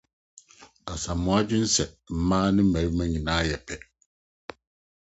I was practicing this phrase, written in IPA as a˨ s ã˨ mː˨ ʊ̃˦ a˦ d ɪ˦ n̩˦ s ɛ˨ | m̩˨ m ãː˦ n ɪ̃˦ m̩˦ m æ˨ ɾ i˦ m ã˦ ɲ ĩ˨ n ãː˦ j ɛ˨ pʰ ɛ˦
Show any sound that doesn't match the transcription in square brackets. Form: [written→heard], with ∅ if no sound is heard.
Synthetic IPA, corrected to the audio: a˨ s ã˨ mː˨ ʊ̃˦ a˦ [d→d͡ʑ] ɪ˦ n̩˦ s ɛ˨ | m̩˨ m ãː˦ n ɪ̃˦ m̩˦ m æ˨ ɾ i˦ m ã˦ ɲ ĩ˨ n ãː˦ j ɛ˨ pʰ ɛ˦